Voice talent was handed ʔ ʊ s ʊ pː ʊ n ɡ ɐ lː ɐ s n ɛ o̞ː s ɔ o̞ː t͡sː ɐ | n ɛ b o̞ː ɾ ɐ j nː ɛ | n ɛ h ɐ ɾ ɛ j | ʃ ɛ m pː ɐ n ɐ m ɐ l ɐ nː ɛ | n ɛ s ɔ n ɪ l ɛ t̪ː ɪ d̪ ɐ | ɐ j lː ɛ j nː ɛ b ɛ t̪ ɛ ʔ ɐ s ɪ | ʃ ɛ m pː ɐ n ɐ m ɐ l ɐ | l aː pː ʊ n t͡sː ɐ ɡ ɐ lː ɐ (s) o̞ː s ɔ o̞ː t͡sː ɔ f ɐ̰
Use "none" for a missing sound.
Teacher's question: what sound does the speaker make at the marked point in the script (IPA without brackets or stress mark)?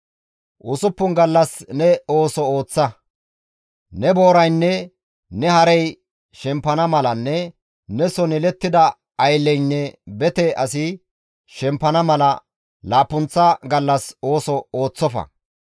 s